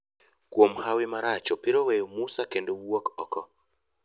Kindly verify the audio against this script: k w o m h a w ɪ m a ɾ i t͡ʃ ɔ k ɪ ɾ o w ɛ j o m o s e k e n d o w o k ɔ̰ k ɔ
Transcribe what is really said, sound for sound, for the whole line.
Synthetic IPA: k w o m h a w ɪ m a ɾ a t͡ʃ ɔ p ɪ ɾ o w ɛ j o m u s a k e n d o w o k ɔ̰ k ɔ